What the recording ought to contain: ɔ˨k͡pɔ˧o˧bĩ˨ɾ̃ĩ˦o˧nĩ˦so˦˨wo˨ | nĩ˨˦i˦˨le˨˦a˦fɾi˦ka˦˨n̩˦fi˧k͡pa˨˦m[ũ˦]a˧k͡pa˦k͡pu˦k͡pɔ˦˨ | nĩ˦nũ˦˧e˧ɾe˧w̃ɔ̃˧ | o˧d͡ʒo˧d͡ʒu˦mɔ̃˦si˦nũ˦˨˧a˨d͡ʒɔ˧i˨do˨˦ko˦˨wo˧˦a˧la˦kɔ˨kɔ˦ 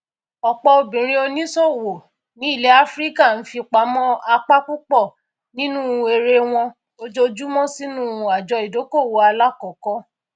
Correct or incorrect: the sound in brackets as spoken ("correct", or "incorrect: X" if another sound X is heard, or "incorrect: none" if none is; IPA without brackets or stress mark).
incorrect: ɔ̃˦